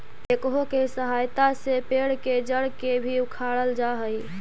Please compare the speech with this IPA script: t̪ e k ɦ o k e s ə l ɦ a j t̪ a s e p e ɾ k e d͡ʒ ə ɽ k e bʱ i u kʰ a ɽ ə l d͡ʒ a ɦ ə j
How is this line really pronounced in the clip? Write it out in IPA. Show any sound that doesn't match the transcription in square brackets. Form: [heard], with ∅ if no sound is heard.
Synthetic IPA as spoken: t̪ e k ɦ o k e s ə [∅] ɦ a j t̪ a s e p e [ɽ] k e d͡ʒ ə ɽ k e bʱ i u kʰ a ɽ ə l d͡ʒ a ɦ ə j